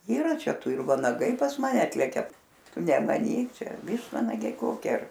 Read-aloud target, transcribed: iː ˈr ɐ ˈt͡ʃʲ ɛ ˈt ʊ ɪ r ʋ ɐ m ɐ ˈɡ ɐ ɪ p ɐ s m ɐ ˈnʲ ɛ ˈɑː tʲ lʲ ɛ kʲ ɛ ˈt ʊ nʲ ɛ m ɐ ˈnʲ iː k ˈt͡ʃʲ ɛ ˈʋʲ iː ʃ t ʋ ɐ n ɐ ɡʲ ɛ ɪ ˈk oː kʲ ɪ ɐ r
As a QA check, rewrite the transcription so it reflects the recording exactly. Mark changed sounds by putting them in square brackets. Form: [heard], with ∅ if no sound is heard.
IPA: iː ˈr ɐ ˈt͡ʃʲ ɛ ˈt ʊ ɪ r ʋ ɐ [n] ɐ ˈɡ ɐ ɪ p ɐ s m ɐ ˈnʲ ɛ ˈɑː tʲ lʲ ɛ kʲ ɛ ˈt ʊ nʲ ɛ m ɐ ˈnʲ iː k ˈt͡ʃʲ ɛ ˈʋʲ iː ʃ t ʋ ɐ n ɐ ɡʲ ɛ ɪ ˈk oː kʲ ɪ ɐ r